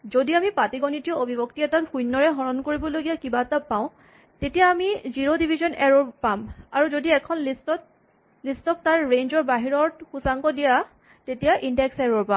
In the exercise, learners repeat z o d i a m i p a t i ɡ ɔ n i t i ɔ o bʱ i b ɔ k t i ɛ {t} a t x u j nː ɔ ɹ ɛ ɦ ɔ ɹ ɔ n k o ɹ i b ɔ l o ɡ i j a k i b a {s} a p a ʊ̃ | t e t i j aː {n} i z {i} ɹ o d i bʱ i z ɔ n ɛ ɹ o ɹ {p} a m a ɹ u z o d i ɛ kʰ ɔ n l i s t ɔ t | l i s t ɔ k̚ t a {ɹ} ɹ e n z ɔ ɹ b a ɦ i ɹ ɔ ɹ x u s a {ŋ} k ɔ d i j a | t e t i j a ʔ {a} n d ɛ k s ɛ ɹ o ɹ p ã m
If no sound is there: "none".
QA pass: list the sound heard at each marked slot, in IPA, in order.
t, t, m, i, p, ɹ, ŋ, i

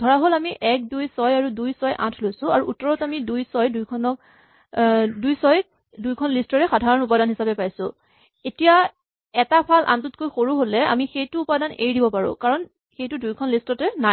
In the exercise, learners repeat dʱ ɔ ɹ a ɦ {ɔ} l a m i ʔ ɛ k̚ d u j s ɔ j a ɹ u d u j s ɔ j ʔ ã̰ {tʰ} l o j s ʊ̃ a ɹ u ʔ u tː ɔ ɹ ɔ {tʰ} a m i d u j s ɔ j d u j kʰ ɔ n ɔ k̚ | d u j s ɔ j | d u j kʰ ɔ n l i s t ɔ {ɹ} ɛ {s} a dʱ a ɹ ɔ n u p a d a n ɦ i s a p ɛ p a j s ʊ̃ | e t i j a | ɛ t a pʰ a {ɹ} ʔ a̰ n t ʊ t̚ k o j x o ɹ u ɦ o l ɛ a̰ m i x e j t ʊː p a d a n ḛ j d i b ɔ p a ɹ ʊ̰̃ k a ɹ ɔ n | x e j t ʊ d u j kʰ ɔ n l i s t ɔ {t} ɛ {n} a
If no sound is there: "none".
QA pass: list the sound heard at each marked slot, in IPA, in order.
o, tʰ, t, ɹ, x, l, t, n

